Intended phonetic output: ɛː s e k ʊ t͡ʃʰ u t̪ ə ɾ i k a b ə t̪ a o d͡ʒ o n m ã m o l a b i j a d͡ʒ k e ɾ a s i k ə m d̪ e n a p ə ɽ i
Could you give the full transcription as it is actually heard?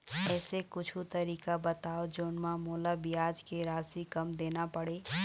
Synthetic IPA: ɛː s e k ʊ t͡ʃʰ u t̪ ə ɾ i k a b ə t̪ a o d͡ʒ o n m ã m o l a b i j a d͡ʒ k e ɾ a s i k ə m d̪ e n a p ə ɽ e

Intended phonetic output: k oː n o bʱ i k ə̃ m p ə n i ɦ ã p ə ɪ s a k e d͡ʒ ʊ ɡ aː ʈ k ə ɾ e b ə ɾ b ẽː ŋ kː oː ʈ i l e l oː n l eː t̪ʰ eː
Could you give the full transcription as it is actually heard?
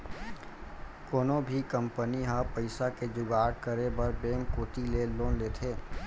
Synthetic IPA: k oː n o bʱ i k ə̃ m p ə n i ɦ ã p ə ɪ s a k e d͡ʒ ʊ ɡ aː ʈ k ə ɾ e b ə ɾ b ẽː ŋ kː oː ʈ i l e l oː n l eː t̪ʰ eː

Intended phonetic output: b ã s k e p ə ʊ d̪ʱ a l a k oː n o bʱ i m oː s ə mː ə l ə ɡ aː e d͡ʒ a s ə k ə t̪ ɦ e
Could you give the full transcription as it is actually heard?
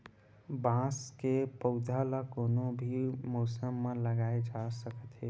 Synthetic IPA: b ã s k e p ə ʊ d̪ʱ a l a k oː n o bʱ i m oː s ə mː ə l ə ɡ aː e d͡ʒ a s ə k ə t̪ ɦ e

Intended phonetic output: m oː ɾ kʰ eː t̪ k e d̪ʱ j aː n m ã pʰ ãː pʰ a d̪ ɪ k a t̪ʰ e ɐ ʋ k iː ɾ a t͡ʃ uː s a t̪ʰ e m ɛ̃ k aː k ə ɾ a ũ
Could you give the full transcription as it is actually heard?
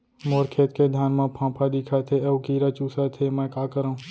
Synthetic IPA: m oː ɾ kʰ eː t̪ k e d̪ʱ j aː n m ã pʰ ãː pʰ a d̪ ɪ kʰ a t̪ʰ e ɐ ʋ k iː ɾ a t͡ʃ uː s a t̪ʰ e m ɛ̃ k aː k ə ɾ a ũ

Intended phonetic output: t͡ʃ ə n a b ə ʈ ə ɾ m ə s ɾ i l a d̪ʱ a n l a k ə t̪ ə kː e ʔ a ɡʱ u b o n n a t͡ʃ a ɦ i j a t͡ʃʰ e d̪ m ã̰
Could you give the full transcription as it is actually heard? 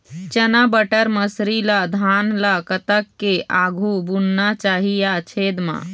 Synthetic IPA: t͡ʃ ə n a b ə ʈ ə ɾ m ə s ɾ i l a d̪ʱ a n l a k ə t̪ ə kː e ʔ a ɡʱ u b u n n a t͡ʃ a ɦ i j a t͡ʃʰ e d̪ m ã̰

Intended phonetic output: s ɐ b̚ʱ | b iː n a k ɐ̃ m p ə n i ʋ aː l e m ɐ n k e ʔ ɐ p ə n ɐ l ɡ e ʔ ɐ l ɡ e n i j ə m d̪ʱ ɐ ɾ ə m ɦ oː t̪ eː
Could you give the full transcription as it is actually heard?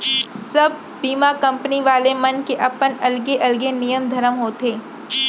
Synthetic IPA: s ɐ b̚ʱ | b iː m a k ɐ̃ m p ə n i ʋ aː l e m ɐ n k e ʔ ɐ p ə n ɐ l ɡ e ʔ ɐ l ɡ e n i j ə m d̪ʱ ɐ ɾ ə m ɦ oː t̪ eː

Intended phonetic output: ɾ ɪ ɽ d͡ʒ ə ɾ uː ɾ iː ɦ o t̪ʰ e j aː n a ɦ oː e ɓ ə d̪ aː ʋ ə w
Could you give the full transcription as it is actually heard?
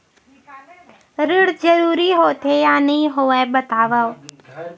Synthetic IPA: ɾ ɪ ɽ d͡ʒ ə ɾ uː ɾ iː ɦ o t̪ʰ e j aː n i ɦ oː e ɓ ə t̪ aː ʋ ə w

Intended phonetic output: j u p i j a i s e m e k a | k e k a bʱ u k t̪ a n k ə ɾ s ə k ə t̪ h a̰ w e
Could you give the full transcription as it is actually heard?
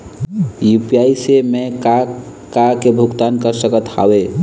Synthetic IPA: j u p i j a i s e m e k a | k a k e bʱ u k t̪ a n k ə ɾ s ə k ə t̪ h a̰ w e

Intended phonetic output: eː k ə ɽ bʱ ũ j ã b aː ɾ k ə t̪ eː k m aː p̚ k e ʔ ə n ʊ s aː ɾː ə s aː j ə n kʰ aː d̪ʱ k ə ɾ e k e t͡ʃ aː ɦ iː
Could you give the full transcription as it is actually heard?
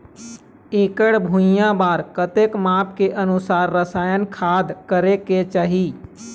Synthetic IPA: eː k ə ɽ bʱ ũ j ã b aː ɾ k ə t̪ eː k m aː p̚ k e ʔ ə n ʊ s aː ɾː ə s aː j ə n kʰ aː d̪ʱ k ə ɾ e k e t͡ʃ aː ɦ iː

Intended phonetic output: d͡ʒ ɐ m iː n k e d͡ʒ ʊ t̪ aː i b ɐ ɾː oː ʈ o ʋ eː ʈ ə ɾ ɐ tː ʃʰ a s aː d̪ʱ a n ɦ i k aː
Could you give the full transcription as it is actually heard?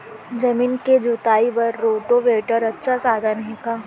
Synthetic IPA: d͡ʒ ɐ m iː n k e d͡ʒ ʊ t̪ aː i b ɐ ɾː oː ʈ o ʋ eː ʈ ə ɾ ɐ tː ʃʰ a s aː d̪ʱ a n ɦ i k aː

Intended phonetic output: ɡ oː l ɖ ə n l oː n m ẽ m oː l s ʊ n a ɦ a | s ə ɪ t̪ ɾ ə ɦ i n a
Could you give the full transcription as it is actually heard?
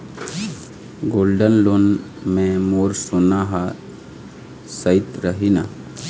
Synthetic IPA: ɡ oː l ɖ ə n l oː n m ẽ m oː ɾ s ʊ n a ɦ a | s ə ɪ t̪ ɾ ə ɦ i n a

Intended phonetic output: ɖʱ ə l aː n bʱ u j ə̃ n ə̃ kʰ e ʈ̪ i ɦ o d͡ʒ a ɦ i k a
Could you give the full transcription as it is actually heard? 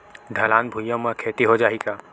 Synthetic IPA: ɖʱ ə l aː n bʱ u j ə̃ m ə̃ kʰ e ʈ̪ i ɦ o d͡ʒ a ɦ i k a

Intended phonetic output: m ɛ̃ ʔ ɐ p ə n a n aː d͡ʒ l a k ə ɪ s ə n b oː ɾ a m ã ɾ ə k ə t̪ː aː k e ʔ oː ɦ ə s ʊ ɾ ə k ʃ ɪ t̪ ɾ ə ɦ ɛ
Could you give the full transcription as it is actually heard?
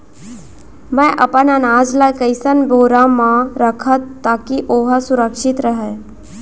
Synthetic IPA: m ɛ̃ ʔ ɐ p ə n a n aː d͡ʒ l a k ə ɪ s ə n b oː ɾ a m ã ɾ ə kʰ ə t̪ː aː k i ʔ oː ɦ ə s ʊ ɾ ə k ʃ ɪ t̪ ɾ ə ɦ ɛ

